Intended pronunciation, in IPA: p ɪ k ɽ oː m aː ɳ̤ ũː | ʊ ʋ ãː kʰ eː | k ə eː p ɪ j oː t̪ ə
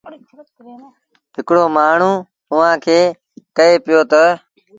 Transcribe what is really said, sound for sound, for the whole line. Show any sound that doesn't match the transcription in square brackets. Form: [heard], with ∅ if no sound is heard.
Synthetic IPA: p ɪ k ɽ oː m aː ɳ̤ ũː | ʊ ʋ ãː kʰ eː | k ə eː p ɪ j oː t̪ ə